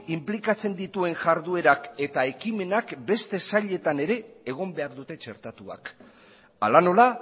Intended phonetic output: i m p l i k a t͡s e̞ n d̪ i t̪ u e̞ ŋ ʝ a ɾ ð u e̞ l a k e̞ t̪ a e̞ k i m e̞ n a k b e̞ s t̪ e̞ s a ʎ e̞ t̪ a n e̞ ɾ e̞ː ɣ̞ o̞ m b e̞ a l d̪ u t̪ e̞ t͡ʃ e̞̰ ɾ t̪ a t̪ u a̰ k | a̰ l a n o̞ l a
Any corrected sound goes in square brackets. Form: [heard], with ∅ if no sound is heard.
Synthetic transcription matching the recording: i m p l i k a t͡s e̞ n d̪ i t̪ u e̞ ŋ ʝ a ɾ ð u e̞ [ɾ] a k e̞ t̪ a e̞ k i m e̞ n a k b e̞ s t̪ e̞ s a ʎ e̞ t̪ a n e̞ ɾ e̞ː ɣ̞ o̞ m b e̞ a [ɾ] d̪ u t̪ e̞ t͡ʃ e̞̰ ɾ t̪ a t̪ u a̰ k | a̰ l a n o̞ l a

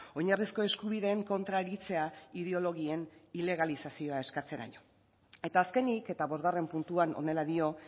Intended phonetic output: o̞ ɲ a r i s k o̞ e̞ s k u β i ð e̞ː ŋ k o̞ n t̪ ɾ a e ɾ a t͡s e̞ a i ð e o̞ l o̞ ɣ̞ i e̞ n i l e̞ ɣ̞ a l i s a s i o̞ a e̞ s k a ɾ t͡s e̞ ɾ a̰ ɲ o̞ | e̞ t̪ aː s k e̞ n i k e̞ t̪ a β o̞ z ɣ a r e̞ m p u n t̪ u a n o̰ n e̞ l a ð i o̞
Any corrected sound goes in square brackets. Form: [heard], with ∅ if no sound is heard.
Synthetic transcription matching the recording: o̞ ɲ a r i s k o̞ e̞ s k u β i ð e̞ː ŋ k o̞ n t̪ ɾ a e ɾ [i] t͡s e̞ a i ð e o̞ l o̞ ɣ̞ i e̞ n i l e̞ ɣ̞ a l i s a s i o̞ a e̞ s k a [∅] t͡s e̞ ɾ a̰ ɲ o̞ | e̞ t̪ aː s k e̞ n i k e̞ t̪ a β o̞ z ɣ a r e̞ m p u n t̪ u a n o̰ n e̞ l a ð i o̞

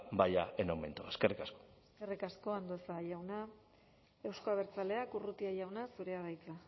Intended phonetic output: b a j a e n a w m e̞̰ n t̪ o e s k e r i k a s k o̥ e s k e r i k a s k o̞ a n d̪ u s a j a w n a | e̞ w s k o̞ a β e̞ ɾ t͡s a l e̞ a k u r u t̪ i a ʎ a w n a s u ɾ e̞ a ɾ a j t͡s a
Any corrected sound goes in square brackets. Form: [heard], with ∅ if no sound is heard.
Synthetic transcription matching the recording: b a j a e n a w m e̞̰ n t̪ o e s k e r i k a s k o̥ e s k e r i k a s k o̞ a n d̪ [o] s a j a w n a | e̞ w s k o̞ a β e̞ ɾ t͡s a l e̞ a k u r u t̪ i a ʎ a w n a s u ɾ e̞ a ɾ a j t͡s a

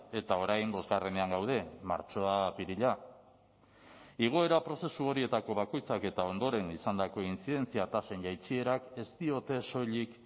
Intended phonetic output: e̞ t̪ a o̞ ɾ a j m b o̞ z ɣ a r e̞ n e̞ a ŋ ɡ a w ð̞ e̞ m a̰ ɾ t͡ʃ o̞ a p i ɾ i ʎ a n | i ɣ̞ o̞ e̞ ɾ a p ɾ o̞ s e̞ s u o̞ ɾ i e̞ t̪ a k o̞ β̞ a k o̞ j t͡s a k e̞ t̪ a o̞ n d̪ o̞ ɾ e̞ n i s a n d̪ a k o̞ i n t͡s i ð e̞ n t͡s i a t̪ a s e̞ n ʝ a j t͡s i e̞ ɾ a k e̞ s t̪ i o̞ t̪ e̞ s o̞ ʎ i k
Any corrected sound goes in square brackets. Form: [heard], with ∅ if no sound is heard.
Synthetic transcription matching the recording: e̞ t̪ a o̞ ɾ a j m b o̞ z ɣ a r e̞ n e̞ a ŋ ɡ a w ð̞ e̞ m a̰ ɾ t͡ʃ o̞ a p i ɾ i ʎ a [∅] | i ɣ̞ o̞ e̞ ɾ a p ɾ o̞ s e̞ s u o̞ ɾ i e̞ t̪ a k o̞ β̞ a k o̞ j t͡s a k e̞ t̪ a o̞ n d̪ o̞ ɾ e̞ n i s a n d̪ a k o̞ i n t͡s i ð e̞ n t͡s i a t̪ a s e̞ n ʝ a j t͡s i e̞ ɾ a k e̞ s t̪ i o̞ t̪ e̞ s o̞ ʎ i k

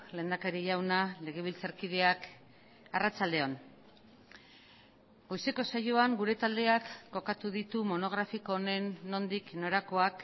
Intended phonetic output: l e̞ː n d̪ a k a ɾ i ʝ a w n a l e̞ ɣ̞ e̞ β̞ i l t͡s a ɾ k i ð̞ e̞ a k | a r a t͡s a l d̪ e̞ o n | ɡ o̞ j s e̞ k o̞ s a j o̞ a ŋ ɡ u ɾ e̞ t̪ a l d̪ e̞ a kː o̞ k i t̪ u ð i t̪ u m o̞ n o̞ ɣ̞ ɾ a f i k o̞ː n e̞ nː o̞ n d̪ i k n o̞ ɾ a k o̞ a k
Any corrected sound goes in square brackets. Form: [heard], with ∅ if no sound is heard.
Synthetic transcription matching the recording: l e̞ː n d̪ a k a ɾ i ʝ a w n a l e̞ ɣ̞ e̞ β̞ i l t͡s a ɾ k i ð̞ e̞ a k | a r a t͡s a l d̪ e̞ o n | ɡ o̞ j s e̞ k o̞ s a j o̞ a ŋ ɡ u ɾ e̞ t̪ a l d̪ e̞ a kː o̞ k [a] t̪ u ð i t̪ u m o̞ n o̞ ɣ̞ ɾ a f i k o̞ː n e̞ nː o̞ n d̪ i k n o̞ ɾ a k o̞ a k

